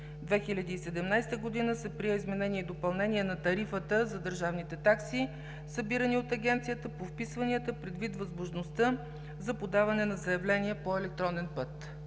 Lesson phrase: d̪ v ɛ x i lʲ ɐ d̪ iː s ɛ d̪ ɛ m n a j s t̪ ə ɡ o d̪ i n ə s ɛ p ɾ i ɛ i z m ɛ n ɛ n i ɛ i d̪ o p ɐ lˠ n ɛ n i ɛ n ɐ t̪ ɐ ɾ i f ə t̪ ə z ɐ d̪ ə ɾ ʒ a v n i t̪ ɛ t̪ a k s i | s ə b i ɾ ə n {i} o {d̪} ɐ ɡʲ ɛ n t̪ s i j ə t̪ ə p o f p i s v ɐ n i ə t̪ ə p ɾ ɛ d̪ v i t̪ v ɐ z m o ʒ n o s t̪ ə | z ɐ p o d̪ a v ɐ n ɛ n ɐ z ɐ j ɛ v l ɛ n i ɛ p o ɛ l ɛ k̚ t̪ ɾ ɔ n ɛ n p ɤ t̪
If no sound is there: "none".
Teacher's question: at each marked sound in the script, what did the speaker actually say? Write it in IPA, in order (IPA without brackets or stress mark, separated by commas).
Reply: i, t̪